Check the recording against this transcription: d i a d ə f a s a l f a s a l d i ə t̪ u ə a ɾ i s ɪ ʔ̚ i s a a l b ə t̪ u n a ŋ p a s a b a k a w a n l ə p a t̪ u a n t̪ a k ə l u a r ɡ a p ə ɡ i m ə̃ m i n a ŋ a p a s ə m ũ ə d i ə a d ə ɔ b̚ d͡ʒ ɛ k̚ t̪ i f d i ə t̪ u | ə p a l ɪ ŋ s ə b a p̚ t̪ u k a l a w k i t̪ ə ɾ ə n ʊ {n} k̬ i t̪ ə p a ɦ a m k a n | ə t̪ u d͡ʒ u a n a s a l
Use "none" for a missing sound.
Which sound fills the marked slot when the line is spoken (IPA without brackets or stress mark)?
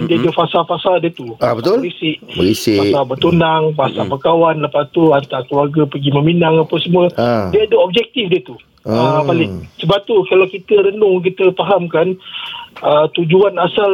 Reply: ŋ